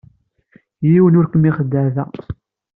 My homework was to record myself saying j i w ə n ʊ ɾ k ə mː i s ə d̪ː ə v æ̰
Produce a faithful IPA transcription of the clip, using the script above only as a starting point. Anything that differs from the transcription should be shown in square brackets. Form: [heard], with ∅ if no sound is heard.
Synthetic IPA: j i w ə n ʊ ɾ k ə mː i [χ] ə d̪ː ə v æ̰